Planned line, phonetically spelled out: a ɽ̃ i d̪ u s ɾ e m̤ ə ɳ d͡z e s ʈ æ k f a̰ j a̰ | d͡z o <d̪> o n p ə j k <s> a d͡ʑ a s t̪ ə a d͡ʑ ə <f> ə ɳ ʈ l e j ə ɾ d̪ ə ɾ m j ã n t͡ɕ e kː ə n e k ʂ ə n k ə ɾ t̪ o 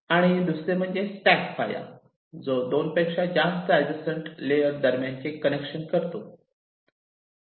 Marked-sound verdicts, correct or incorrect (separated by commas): correct, incorrect, incorrect